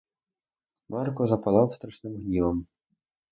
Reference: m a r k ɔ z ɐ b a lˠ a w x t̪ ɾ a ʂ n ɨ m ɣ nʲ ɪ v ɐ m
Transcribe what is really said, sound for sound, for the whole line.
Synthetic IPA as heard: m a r k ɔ z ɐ p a lˠ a w s t̪ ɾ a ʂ n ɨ m ɣ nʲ i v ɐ m